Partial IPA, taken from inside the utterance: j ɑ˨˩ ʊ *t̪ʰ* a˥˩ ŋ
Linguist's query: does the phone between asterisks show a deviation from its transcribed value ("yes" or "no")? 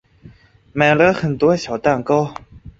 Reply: yes